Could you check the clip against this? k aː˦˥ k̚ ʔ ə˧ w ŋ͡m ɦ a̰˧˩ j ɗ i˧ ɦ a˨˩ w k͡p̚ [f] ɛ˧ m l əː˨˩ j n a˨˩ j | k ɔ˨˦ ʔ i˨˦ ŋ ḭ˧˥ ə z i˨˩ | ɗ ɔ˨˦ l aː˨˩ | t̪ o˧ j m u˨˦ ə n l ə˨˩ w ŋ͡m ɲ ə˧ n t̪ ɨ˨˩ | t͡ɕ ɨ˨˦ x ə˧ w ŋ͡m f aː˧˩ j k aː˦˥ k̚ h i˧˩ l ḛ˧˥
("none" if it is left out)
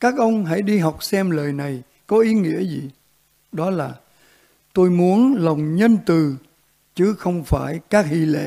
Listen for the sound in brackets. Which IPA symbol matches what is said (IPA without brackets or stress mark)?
s